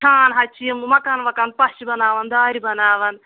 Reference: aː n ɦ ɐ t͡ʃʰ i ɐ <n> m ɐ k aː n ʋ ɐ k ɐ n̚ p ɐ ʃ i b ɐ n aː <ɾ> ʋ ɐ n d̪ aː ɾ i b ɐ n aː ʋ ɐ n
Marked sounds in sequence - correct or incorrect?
incorrect, incorrect

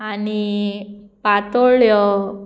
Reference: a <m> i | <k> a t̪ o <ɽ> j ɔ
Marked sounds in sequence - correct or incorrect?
incorrect, incorrect, incorrect

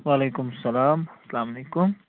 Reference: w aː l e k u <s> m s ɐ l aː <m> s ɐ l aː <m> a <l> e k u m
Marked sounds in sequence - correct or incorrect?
incorrect, correct, correct, correct

